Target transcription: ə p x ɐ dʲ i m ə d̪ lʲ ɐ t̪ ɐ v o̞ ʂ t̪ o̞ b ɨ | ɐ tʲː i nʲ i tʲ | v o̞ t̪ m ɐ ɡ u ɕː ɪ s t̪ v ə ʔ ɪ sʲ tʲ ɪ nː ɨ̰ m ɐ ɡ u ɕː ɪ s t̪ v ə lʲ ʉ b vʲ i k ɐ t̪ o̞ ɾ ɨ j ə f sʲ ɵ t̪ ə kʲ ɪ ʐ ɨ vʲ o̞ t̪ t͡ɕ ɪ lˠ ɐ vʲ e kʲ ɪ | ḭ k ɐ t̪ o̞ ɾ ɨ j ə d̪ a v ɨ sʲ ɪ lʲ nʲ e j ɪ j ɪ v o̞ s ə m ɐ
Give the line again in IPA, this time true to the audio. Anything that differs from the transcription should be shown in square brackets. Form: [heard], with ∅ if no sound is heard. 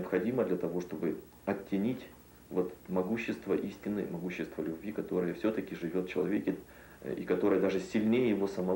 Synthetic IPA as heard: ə p x ɐ dʲ i m ə d̪ lʲ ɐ t̪ ɐ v o̞ ʂ t̪ o̞ b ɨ | ɐ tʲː [ɪ] nʲ i tʲ | v o̞ t̪ m ɐ ɡ u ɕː ɪ s t̪ v ə ʔ [i] sʲ tʲ ɪ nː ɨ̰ m ɐ ɡ u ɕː ɪ s t̪ v ə lʲ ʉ b vʲ i k ɐ t̪ o̞ ɾ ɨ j ə f sʲ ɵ t̪ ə kʲ ɪ ʐ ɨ vʲ o̞ t̪ t͡ɕ ɪ lˠ ɐ vʲ e kʲ ɪ | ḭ k ɐ t̪ o̞ ɾ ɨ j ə d̪ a [ʐ] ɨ sʲ ɪ lʲ nʲ e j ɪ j ɪ v o̞ s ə m ɐ